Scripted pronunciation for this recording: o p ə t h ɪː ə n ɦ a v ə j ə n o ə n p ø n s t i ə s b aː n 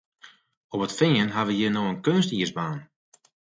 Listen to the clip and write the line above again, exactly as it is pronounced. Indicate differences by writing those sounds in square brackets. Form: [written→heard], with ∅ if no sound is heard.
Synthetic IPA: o p ə t [h→f] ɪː ə n ɦ a [v→ʋ] ə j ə n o ə n [p→k] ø n s t i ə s b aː n